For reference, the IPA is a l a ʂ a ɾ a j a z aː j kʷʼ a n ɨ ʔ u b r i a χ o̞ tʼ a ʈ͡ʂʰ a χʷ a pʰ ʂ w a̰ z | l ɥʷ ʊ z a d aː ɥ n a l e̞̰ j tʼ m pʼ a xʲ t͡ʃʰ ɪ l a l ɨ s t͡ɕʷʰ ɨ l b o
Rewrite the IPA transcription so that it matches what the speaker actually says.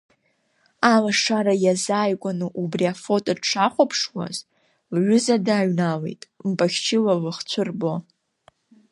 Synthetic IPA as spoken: a l a ʂ a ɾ a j a z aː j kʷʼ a n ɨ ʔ u b r i a f o̞ tʼ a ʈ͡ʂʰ a χʷ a pʰ ʂ w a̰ z | l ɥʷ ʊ z a d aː ɥ n a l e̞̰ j tʼ m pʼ a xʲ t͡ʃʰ ɪ l a l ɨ χ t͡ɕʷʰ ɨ r b o